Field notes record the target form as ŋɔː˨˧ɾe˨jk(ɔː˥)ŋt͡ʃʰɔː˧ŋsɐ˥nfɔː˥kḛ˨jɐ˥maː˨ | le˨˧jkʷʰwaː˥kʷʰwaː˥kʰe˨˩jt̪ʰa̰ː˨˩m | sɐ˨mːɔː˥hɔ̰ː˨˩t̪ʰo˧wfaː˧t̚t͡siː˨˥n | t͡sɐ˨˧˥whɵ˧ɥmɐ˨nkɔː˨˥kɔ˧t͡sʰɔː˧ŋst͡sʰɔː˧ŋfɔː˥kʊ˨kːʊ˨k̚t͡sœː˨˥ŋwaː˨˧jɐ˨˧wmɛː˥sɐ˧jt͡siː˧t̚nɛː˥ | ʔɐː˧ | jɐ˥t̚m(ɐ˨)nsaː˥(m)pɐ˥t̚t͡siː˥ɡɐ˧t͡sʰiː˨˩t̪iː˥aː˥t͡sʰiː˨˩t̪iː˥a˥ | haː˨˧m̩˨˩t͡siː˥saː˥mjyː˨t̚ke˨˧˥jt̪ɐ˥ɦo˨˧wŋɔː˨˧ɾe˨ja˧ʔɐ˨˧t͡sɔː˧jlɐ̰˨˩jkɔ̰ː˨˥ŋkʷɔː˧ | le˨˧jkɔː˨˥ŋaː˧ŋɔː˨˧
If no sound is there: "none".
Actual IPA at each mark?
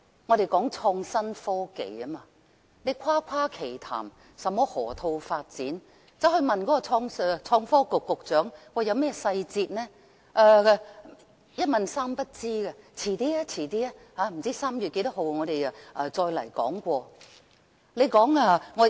ɔː˨˥, ɐ˨, m

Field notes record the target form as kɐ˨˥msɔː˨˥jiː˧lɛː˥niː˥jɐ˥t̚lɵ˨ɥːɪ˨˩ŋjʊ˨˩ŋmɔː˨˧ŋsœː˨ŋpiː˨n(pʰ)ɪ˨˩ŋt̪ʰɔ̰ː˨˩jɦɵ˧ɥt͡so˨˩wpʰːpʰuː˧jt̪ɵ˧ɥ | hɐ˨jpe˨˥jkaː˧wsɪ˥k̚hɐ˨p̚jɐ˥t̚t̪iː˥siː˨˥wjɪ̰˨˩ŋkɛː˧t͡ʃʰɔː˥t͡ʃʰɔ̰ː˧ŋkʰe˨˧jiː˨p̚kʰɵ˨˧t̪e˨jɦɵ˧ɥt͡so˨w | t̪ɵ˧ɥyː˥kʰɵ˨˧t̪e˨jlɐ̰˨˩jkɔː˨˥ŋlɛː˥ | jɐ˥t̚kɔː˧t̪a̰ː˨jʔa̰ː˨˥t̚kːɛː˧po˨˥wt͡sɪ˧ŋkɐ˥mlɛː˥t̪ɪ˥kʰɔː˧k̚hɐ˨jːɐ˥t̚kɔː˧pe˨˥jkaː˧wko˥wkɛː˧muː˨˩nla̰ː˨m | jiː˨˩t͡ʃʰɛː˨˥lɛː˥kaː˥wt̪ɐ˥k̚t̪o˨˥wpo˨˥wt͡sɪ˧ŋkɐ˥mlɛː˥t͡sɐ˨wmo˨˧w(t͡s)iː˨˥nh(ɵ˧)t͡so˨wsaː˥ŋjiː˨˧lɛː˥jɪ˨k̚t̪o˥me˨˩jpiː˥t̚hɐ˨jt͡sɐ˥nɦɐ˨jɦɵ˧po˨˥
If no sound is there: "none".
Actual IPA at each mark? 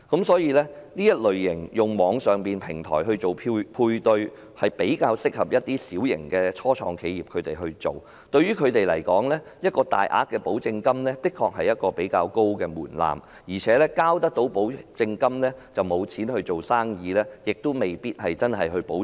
pʰ, t͡sʰ, ɵ˧

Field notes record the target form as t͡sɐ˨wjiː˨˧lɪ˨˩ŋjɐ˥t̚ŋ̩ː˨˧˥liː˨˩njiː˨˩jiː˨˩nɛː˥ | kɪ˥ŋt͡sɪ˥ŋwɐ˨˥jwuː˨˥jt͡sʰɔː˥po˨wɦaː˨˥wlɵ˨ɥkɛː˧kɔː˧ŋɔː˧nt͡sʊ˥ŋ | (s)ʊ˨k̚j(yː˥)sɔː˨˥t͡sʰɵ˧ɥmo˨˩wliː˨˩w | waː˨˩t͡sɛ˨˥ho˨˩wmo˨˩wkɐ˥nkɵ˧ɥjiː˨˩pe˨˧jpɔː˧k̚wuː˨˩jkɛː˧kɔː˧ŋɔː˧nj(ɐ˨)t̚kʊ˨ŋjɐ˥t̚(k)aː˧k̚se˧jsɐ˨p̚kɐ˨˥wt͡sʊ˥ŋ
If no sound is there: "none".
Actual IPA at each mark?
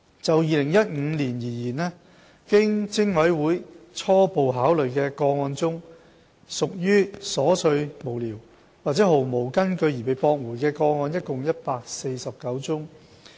s, yː˥, ɐ˥, p

